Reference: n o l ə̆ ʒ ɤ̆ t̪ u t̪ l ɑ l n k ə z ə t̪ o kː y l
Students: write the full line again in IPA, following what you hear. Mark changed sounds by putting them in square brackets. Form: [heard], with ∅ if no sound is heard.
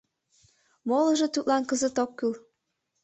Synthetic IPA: [m] o l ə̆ ʒ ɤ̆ t̪ u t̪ l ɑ [∅] n k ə z ə t̪ o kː y l